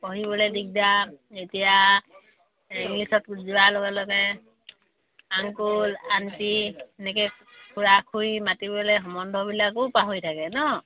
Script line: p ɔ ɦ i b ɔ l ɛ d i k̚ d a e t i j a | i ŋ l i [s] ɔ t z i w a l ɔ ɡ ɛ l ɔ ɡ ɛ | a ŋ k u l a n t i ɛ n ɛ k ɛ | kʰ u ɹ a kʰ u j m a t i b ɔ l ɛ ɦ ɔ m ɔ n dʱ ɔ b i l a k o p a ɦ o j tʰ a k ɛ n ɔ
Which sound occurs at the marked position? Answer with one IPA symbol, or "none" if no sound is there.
s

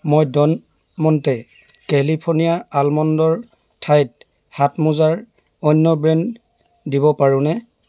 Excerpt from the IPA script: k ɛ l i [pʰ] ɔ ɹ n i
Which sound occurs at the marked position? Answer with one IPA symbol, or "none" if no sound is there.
pʰ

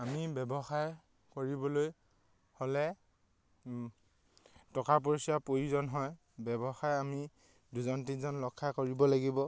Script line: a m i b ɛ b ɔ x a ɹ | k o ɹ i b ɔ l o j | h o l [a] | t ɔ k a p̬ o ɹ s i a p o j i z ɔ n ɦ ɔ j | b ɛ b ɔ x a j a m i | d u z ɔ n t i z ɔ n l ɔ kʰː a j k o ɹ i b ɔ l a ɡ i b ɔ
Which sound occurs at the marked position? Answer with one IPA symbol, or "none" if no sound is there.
ɛ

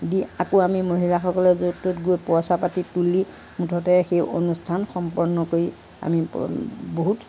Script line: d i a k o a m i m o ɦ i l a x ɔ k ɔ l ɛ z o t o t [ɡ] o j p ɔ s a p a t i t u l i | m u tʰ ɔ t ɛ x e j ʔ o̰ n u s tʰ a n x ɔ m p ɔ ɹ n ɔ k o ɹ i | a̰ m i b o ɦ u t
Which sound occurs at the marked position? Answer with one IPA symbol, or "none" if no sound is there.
ɡ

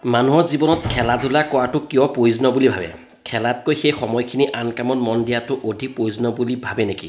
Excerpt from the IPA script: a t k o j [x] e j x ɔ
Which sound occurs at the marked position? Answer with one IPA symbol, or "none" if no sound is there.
x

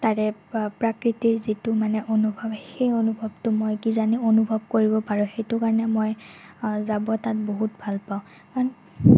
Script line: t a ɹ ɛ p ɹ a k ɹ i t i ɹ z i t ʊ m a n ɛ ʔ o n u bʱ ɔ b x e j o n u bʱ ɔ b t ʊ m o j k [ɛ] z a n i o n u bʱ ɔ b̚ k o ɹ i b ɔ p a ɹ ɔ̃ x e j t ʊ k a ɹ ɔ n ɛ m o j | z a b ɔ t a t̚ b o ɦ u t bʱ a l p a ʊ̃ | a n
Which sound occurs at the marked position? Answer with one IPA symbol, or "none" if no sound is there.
i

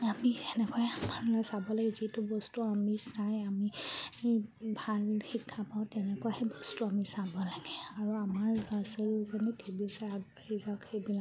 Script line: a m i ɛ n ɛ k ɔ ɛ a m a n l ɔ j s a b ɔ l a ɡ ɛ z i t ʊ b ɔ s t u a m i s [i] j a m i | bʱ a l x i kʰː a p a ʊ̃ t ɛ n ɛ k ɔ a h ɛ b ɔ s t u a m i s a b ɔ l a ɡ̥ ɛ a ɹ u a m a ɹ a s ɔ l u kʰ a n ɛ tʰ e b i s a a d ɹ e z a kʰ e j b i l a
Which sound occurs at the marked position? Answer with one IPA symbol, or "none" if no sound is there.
a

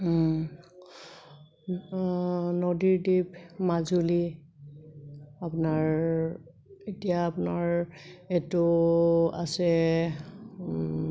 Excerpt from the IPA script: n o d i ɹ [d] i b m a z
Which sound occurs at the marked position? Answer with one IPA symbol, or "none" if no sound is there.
d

